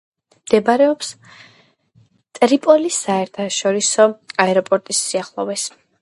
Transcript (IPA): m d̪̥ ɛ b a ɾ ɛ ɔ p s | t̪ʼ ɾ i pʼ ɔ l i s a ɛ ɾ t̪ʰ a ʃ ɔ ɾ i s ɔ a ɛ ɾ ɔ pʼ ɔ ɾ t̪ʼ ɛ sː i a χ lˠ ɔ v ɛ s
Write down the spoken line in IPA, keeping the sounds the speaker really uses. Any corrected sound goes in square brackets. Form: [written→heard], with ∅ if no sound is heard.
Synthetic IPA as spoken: m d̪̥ ɛ b a ɾ ɛ ɔ p s | t̪ʼ ɾ i pʼ ɔ l i s a ɛ ɾ t̪ʰ a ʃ ɔ ɾ i s ɔ a ɛ ɾ ɔ pʼ ɔ ɾ t̪ʼ [ɛ→i] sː i a χ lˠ ɔ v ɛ s